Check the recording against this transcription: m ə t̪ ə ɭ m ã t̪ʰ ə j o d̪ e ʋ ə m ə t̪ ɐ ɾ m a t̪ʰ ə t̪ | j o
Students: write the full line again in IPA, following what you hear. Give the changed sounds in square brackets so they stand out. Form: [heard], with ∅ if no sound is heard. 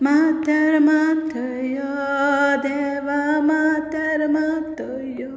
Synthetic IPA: m [a] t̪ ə [ɾ] m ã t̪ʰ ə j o d̪ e ʋ [a] m [a] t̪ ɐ ɾ m a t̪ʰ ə [∅] | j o